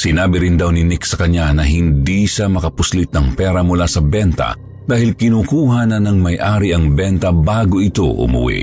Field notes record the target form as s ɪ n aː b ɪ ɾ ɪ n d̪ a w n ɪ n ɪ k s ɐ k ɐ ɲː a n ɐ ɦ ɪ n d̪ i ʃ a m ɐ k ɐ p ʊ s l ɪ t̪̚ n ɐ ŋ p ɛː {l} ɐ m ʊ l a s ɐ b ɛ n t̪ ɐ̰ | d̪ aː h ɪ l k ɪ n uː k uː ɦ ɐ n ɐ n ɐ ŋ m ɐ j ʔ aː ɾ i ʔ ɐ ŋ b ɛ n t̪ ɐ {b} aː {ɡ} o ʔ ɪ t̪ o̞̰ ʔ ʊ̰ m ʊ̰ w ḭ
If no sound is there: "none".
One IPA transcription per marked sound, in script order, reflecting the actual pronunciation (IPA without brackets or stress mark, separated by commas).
ɾ, b, ɡ